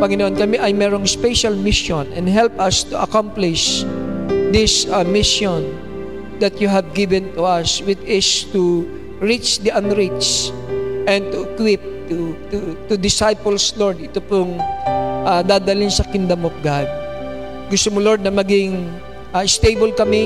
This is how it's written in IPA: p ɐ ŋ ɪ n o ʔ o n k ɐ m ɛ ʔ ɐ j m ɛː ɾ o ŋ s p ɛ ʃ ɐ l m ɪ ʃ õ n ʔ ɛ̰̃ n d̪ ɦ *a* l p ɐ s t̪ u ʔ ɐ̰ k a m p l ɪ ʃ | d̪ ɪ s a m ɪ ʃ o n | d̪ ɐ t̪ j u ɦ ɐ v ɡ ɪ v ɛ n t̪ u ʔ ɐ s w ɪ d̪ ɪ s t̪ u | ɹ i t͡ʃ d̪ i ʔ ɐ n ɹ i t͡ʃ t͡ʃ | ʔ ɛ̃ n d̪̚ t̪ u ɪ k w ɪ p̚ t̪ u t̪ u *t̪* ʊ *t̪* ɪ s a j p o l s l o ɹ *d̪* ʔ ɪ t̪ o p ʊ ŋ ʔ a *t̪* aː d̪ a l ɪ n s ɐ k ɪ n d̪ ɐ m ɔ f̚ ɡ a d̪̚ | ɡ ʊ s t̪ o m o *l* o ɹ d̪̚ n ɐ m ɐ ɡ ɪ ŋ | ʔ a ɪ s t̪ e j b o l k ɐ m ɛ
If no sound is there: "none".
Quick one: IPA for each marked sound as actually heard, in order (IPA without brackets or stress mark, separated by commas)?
ɛ, t̪, d̪, d̪, d̪, l